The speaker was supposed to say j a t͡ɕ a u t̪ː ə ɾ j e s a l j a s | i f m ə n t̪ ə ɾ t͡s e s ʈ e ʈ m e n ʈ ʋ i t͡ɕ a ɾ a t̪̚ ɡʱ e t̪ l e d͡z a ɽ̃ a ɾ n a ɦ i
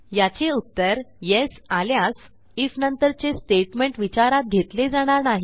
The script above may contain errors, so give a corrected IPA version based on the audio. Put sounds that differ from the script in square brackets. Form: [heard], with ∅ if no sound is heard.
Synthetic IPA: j a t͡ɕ [e] u t̪ː ə ɾ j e s a l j a s | i f [n] ə n t̪ ə ɾ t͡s e s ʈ e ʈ m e [ɳ] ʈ ʋ i t͡ɕ a ɾ a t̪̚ ɡʱ e t̪ l e d͡z a ɽ̃ a ɾ n a ɦ i